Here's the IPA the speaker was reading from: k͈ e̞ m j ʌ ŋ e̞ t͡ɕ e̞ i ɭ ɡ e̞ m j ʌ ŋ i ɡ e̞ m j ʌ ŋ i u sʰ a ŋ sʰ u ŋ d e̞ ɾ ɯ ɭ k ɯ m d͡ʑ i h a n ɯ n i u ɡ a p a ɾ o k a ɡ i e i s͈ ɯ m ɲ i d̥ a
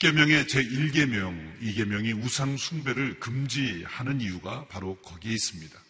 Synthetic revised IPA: k͈ e̞ m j ʌ ŋ e̞ t͡ɕ e̞ i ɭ ɡ e̞ m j ʌ ŋ i ɡ e̞ m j ʌ ŋ i u sʰ a ŋ sʰ u ŋ b e̞ ɾ ɯ ɭ k ɯ m d͡ʑ i h a n ɯ n i u ɡ a p a ɾ o k ʌ ɡ i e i s͈ ɯ m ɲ i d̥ a